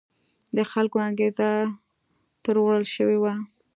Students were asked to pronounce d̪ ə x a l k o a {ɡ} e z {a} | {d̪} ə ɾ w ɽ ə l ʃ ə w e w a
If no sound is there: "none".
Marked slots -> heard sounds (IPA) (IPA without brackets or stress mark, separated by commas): ɡ, a, t̪